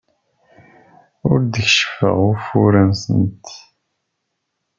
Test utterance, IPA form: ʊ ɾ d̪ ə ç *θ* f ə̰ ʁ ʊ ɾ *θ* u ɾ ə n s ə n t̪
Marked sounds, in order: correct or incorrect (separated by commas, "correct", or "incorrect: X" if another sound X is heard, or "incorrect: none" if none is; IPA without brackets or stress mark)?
incorrect: ʃ, incorrect: f